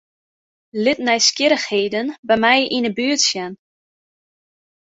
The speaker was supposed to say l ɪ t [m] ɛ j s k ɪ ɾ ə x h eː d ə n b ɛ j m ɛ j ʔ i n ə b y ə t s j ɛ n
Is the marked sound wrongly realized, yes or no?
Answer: yes